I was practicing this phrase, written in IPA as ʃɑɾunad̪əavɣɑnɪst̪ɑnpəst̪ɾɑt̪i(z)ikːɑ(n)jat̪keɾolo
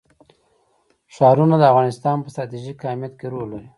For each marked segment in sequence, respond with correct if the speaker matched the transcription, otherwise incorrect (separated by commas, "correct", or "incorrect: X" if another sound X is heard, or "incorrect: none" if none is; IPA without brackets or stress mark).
incorrect: ʒ, incorrect: m